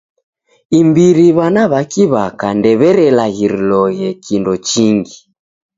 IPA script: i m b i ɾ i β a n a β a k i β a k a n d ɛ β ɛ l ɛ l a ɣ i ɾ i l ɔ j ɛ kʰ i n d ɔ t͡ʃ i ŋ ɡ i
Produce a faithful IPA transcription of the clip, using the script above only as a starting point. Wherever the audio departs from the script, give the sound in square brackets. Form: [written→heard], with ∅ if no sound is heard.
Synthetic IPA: i m b i ɾ i β a n a β a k i β a k a n d ɛ β ɛ [l→ɾ] ɛ l a ɣ i ɾ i l ɔ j ɛ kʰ i n d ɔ t͡ʃ i ŋ ɡ i